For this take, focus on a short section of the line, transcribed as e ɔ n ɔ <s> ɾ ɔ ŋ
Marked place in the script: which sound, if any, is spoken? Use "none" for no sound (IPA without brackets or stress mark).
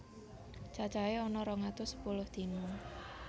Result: none